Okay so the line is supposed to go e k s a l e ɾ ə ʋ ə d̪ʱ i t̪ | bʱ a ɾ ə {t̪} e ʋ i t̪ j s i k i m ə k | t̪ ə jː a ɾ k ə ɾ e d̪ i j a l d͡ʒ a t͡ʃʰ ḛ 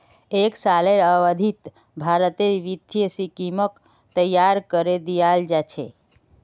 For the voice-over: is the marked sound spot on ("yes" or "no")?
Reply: yes